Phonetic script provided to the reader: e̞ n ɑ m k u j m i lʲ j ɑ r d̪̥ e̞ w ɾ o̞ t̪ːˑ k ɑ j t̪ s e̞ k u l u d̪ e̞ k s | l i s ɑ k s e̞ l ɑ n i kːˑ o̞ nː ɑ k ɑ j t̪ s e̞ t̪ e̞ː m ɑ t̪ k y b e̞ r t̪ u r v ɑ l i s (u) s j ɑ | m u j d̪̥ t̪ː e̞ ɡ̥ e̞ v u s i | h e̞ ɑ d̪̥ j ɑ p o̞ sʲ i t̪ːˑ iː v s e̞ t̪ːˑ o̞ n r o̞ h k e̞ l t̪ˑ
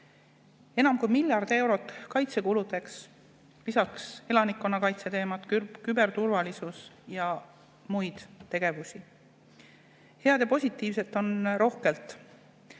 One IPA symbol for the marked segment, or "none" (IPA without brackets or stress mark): u